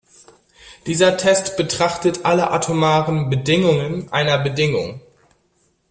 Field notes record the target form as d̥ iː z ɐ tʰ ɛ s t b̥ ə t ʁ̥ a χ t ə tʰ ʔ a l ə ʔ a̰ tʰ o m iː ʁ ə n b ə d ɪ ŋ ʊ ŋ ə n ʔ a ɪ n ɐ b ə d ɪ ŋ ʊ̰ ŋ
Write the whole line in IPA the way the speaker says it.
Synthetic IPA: d̥ iː z ɐ tʰ ɛ s t b̥ ə t ʁ̥ a χ t ə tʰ ʔ a l ə ʔ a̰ tʰ o m aː ʁ ə n b ə d ɪ ŋ ʊ ŋ ə n ʔ a ɪ n ɐ b ə d ɪ ŋ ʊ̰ ŋ